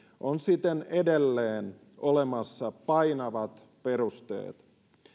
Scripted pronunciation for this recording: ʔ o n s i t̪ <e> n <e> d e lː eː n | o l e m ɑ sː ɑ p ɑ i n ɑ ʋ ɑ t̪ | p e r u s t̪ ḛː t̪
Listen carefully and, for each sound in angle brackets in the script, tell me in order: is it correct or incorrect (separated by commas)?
correct, correct